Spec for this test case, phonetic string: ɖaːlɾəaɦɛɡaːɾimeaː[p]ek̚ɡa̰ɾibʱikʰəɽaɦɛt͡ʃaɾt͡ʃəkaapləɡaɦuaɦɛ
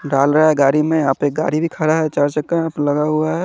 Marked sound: correct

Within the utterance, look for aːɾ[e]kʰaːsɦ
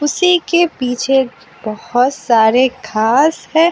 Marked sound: correct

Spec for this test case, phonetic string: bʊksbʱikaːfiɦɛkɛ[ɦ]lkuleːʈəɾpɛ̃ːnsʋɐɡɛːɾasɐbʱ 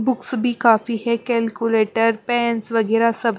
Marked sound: incorrect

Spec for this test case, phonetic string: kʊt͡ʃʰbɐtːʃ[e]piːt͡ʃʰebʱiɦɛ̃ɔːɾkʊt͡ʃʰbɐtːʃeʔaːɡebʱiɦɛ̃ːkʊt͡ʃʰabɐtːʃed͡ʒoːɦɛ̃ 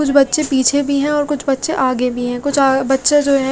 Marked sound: correct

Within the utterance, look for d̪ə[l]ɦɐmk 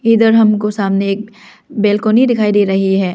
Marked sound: incorrect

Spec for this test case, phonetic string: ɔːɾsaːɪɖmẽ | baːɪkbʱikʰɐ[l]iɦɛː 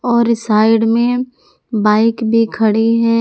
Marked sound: incorrect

